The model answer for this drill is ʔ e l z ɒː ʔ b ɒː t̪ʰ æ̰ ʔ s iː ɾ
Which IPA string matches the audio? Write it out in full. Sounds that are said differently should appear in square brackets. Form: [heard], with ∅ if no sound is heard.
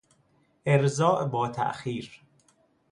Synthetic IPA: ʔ e [ɾ] z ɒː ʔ b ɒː t̪ʰ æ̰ ʔ [x] iː ɾ